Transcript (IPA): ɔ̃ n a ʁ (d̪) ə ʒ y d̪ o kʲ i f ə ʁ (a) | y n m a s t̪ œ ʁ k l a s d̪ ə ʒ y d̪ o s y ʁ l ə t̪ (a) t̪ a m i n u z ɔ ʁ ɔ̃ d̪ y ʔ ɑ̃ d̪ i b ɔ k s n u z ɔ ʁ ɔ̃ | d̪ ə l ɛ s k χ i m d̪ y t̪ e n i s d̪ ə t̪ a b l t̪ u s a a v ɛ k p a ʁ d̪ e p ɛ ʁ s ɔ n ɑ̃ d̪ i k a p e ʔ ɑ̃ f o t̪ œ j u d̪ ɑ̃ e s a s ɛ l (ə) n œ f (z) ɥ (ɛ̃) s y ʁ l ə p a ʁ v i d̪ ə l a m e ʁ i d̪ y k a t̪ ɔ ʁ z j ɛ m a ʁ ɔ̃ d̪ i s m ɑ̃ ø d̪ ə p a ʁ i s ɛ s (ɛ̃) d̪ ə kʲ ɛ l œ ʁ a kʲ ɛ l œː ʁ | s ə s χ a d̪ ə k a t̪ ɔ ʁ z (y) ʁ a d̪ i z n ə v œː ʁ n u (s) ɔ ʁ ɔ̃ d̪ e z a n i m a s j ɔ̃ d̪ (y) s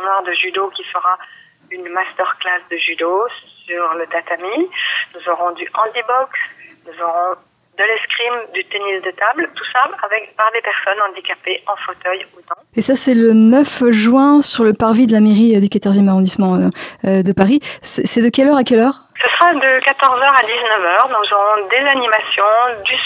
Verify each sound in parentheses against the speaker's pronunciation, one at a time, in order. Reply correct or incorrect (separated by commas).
correct, correct, correct, correct, incorrect, correct, incorrect, incorrect, incorrect, correct